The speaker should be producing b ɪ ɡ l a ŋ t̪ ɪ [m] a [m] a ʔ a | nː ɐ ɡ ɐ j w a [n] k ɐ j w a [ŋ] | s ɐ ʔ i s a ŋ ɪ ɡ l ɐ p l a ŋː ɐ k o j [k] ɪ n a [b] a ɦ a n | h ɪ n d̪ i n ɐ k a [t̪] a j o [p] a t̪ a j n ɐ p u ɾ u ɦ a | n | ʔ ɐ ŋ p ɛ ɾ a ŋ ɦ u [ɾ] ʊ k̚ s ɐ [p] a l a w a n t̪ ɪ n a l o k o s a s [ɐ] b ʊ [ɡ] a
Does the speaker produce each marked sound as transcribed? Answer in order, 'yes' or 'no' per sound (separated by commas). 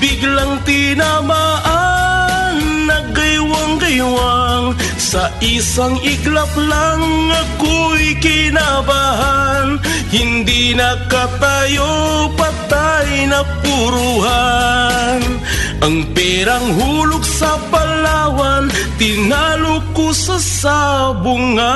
no, yes, no, yes, yes, yes, yes, yes, no, yes, no, no